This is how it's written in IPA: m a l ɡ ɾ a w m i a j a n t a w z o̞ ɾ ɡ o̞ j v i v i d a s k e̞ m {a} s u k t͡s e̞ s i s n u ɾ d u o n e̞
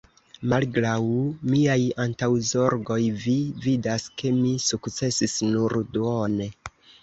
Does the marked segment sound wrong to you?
yes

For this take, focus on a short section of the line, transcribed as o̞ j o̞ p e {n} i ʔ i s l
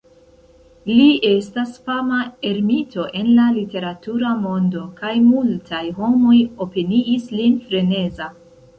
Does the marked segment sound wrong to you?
no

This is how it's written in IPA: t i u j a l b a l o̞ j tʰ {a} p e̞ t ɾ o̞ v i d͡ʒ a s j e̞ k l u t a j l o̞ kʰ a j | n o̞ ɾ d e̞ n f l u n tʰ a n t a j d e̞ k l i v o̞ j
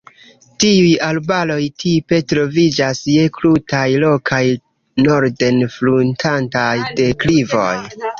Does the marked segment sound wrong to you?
yes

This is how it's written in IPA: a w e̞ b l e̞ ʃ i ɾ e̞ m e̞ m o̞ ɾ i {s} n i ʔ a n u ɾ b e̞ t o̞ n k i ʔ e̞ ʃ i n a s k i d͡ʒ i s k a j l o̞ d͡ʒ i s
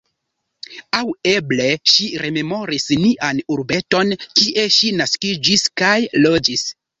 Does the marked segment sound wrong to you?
no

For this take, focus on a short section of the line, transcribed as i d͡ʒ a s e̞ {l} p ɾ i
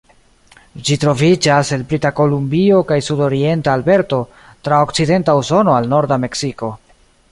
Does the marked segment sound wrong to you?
no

